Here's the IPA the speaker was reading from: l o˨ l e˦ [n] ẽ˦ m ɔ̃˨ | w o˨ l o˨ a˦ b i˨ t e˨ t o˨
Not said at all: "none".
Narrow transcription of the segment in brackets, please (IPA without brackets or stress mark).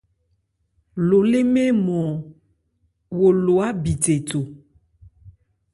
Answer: m